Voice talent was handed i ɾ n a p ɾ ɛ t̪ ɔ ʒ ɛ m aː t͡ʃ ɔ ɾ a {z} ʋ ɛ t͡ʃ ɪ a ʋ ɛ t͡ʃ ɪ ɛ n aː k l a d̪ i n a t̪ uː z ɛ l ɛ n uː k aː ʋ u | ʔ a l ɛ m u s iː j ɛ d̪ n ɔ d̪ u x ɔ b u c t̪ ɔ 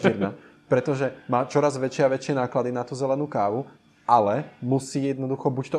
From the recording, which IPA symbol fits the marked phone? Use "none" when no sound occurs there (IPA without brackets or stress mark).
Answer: z